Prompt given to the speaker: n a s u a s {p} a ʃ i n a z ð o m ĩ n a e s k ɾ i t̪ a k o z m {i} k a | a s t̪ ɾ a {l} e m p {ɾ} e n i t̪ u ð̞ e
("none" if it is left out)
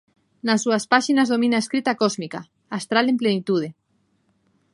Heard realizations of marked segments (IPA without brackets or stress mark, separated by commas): p, i, l, l